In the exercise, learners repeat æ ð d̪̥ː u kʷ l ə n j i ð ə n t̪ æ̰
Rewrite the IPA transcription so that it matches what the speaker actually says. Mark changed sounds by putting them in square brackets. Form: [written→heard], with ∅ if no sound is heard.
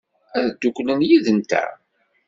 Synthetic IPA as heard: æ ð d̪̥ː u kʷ l ə n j i ð ə n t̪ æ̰